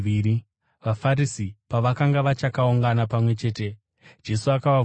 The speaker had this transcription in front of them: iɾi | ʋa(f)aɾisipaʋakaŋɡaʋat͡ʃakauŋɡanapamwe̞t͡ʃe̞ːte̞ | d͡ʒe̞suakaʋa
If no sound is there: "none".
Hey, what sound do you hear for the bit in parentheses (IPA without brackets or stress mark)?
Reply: f